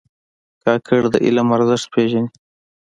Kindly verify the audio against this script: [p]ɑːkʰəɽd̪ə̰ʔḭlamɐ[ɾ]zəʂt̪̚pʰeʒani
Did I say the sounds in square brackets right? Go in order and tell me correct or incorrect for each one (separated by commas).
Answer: incorrect, correct